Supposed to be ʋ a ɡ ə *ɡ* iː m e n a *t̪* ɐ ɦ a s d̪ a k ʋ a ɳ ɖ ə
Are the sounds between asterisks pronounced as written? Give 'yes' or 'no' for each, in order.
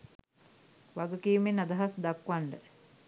no, no

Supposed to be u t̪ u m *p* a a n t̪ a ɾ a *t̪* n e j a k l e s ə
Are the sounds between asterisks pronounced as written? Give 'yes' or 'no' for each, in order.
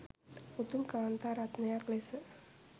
no, yes

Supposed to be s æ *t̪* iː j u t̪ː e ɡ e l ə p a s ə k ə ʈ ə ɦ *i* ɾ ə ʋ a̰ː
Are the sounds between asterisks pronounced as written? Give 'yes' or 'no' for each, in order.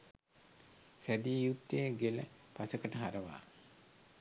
no, no

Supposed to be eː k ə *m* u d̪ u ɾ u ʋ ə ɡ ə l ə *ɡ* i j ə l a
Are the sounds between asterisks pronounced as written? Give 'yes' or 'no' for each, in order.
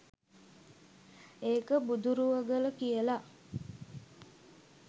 no, no

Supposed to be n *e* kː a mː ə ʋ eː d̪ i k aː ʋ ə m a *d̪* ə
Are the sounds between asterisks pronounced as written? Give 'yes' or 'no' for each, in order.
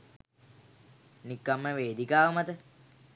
no, no

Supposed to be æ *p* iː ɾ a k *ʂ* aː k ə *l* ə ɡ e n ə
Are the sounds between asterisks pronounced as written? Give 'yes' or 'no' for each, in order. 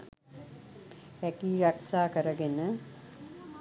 no, no, no

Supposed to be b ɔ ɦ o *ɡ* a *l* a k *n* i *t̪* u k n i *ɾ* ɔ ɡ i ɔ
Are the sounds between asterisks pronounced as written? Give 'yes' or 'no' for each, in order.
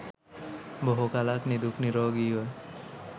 no, yes, yes, no, yes

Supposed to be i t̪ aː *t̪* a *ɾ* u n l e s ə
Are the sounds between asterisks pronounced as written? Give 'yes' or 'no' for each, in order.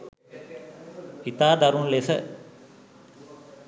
no, yes

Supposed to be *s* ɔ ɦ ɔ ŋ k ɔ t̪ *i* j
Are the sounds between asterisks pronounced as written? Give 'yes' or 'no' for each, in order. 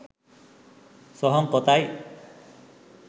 yes, no

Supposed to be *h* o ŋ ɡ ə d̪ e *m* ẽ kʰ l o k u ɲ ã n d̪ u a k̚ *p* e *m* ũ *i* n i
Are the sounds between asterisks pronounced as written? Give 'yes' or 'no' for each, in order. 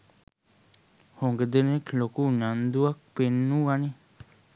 yes, no, yes, no, no

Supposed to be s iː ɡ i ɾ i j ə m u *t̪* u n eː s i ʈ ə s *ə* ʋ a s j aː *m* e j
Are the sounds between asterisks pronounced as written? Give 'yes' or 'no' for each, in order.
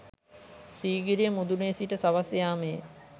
no, no, yes

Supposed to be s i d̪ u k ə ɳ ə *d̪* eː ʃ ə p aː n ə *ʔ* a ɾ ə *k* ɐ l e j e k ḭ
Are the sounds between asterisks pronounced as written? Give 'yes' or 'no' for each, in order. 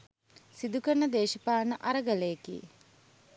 yes, yes, no

